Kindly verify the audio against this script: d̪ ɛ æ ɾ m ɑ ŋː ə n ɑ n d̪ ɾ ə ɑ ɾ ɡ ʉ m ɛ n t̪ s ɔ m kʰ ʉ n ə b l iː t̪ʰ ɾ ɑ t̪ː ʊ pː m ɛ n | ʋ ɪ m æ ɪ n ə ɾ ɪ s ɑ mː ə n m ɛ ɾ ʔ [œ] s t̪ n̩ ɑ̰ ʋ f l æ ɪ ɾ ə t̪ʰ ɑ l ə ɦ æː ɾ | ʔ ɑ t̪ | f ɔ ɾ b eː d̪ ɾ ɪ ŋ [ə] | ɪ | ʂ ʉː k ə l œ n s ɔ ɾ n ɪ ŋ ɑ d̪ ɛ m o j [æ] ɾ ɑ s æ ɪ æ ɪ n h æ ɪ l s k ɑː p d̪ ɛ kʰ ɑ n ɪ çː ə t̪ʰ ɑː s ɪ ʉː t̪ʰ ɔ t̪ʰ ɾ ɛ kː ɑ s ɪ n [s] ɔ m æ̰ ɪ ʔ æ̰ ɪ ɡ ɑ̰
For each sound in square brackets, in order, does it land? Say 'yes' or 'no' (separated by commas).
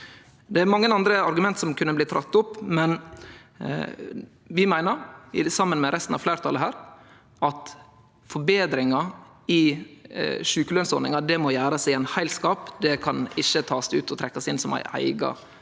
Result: no, no, no, yes